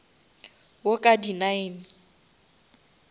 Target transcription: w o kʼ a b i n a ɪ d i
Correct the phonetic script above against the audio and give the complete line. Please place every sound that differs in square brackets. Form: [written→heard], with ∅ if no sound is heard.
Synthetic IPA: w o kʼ a [b→d] i n a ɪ [d→n] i